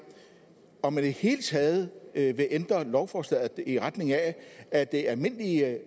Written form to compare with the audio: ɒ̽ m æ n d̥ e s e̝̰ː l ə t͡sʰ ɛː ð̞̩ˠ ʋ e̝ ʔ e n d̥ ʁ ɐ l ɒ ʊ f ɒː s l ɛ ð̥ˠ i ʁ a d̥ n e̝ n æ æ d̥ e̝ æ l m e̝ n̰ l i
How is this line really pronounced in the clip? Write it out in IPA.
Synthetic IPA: ɒ̽ m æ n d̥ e h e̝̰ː l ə t͡sʰ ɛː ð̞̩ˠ ʋ e̝ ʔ e n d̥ ʁ ɐ l ɒ ʊ f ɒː s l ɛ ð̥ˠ i ʁ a d̥ n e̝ ŋ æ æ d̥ e̝ æ l m e̝ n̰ l i